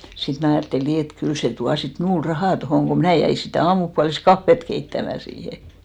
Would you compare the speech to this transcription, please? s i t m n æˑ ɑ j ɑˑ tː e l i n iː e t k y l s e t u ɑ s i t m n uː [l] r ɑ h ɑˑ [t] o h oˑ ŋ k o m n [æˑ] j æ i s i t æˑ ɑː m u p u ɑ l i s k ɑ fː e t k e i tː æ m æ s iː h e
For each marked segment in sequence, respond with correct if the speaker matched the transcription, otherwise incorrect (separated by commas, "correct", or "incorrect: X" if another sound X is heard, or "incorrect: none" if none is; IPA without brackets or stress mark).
correct, correct, correct